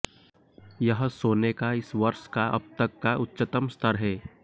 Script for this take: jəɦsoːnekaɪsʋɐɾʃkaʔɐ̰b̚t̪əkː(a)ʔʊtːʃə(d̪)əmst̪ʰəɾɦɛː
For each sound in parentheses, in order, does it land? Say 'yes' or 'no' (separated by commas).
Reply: yes, no